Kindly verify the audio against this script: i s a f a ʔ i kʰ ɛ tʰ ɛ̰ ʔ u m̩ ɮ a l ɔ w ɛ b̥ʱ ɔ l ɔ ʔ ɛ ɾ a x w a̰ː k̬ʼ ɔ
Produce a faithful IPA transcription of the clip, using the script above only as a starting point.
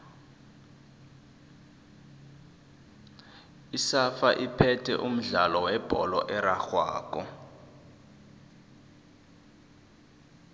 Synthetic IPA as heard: i s a f a ʔ i pʰ ɛ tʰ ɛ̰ ʔ u m̩ ɮ a l ɔ w ɛ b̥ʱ ɔ l ɔ ʔ ɛ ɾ a x w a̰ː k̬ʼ ɔ